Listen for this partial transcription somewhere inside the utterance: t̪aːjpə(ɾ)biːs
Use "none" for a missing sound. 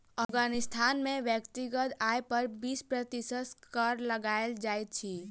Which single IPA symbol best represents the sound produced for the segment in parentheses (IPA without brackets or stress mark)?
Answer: ɾ